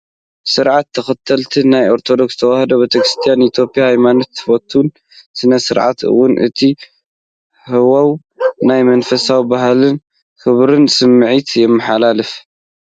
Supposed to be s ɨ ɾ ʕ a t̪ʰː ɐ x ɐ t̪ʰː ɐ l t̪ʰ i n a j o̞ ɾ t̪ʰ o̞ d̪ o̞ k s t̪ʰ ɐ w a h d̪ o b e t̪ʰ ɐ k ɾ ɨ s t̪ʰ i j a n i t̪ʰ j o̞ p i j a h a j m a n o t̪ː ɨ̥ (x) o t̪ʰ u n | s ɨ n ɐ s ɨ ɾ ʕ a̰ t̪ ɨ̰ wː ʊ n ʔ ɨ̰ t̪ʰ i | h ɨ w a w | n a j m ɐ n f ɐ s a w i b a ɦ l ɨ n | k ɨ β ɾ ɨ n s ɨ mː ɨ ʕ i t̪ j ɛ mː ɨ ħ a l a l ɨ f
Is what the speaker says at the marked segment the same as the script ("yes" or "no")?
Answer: no